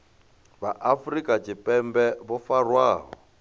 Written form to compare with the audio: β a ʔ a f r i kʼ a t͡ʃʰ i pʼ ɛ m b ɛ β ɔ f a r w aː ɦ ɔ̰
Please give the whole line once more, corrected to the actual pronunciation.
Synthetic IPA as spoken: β a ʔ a f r i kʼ a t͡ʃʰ i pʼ ɛ m b ɛ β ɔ f a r w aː ɦ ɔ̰